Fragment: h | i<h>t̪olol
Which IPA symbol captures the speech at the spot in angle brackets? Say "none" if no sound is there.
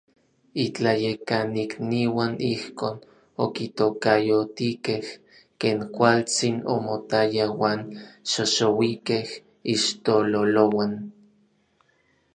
ʃ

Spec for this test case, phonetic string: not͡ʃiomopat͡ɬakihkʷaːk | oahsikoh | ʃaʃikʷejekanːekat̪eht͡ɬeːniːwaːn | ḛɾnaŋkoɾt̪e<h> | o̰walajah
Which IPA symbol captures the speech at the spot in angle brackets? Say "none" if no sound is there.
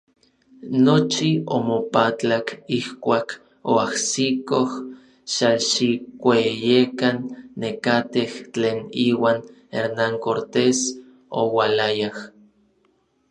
s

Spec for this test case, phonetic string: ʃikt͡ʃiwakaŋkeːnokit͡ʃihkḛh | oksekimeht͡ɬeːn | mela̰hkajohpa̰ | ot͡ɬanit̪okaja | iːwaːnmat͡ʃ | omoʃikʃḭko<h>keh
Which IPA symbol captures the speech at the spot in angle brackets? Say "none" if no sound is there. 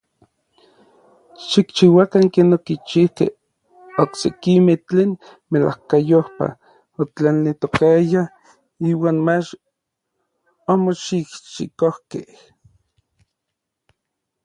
h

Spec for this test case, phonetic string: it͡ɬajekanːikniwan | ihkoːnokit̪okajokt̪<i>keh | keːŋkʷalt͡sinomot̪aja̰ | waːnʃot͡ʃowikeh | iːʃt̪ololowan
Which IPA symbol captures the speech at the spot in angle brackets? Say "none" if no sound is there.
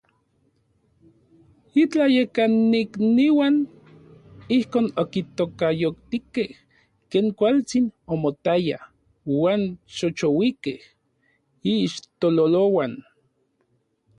i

